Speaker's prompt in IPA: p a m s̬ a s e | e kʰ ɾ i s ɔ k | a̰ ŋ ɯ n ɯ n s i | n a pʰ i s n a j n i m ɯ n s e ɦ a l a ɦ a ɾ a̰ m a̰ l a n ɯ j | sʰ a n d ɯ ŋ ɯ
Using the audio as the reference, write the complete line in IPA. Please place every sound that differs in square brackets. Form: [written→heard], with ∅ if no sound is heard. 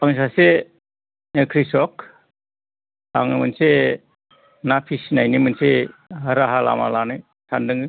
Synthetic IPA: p a [m→ŋ] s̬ a s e | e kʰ ɾ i s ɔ k | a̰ ŋ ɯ [n→m] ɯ n s [i→e] | n a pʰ i s n a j n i m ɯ n s e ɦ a [l→ɾ] a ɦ a [ɾ→l] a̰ m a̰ l a n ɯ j | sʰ a n d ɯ ŋ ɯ